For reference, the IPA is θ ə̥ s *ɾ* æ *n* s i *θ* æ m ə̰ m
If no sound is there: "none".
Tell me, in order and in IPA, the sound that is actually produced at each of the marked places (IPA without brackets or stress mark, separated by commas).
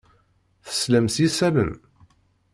l, m, s